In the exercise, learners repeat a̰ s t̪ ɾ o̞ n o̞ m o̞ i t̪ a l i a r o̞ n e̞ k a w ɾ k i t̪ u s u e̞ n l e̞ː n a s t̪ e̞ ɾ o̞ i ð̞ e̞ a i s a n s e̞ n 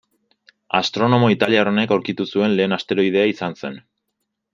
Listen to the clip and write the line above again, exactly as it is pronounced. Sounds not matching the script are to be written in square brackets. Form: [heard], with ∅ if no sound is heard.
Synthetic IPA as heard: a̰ s t̪ ɾ o̞ n o̞ m o̞ i t̪ a l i a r o̞ n e̞ k a w ɾ k i t̪ u s u e̞ n l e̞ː n a s t̪ e̞ ɾ o̞ i ð̞ e̞ a i s a n s e̞ n